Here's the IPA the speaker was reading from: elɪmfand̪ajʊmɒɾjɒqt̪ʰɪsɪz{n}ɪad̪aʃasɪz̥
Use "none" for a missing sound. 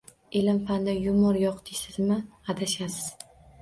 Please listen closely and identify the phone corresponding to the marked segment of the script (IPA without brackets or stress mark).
m